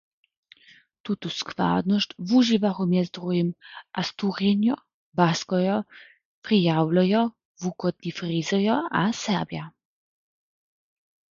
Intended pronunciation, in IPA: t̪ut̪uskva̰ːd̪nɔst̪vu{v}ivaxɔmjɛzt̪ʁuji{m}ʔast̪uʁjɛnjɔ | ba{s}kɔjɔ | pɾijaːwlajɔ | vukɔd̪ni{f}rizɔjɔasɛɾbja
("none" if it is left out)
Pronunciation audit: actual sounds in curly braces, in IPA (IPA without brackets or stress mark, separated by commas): ʒ, m, s, f